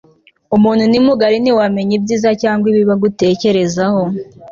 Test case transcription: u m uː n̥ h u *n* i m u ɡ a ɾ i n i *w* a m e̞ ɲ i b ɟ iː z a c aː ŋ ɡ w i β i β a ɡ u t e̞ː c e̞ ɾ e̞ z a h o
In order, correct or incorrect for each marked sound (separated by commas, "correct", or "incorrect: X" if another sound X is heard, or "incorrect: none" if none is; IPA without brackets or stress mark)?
correct, correct